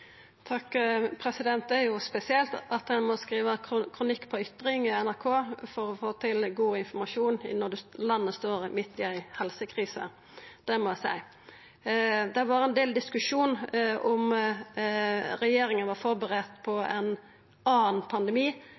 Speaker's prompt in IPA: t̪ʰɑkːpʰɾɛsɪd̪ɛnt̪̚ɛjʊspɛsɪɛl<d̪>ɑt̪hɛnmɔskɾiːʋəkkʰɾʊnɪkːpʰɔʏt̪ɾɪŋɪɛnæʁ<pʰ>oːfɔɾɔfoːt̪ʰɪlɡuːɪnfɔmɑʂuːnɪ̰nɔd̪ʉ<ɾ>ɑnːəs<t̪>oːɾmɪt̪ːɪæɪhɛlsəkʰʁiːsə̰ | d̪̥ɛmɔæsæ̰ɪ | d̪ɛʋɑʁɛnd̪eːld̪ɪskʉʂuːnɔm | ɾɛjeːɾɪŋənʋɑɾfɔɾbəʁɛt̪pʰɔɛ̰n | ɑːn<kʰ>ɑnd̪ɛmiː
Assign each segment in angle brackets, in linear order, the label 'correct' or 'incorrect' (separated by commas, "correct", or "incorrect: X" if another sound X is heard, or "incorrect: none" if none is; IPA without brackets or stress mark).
incorrect: t̪, incorrect: kʰ, incorrect: l, correct, incorrect: pʰ